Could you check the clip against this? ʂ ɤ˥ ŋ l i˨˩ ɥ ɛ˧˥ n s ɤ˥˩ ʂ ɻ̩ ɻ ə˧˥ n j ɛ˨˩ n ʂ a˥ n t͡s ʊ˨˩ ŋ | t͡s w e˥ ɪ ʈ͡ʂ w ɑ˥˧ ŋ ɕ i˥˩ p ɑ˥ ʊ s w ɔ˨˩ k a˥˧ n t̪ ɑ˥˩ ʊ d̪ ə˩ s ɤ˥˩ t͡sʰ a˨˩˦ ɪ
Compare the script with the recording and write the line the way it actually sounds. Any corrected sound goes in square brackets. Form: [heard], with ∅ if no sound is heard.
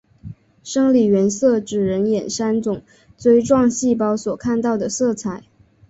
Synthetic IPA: ʂ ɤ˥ ŋ l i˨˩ ɥ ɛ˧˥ n s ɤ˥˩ [ʈ͡ʂ] ɻ̩ ɻ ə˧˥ n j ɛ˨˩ n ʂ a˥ n t͡s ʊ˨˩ ŋ | t͡s w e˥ ɪ ʈ͡ʂ w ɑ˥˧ ŋ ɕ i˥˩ p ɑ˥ ʊ s w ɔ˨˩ [kʰ] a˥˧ n t̪ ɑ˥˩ ʊ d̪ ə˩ s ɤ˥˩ t͡sʰ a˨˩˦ ɪ